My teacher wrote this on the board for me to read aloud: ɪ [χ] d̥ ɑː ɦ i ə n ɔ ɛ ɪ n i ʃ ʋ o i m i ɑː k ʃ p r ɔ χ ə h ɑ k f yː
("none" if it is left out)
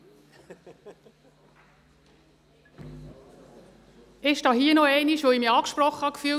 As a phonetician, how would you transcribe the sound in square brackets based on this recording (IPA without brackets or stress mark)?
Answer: ʃ